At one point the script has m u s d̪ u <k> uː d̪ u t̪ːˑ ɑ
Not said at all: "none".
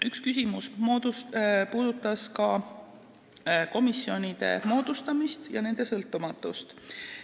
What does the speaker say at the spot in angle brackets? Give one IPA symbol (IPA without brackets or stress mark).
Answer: p